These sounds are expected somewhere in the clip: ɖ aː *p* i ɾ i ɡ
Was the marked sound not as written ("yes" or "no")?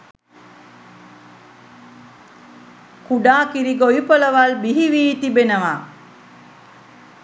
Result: yes